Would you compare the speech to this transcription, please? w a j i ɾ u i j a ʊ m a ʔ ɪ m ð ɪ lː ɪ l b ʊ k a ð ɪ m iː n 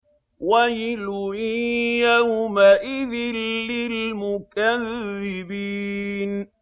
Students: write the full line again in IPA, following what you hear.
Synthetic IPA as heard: w a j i l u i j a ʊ m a ʔ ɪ ð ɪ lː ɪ l m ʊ k a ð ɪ b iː n